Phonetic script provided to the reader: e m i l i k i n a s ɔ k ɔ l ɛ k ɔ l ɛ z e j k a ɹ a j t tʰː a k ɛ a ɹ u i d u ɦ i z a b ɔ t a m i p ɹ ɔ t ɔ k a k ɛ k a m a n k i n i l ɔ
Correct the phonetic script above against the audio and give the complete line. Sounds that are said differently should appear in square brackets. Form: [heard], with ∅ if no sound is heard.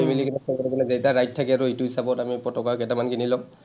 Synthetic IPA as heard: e m i l i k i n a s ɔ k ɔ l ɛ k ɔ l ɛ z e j [t] a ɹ a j t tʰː a k ɛ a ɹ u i [t] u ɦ i [s] a b ɔ t a m i p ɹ ɔ t ɔ k a k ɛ [t] a m a n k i n i l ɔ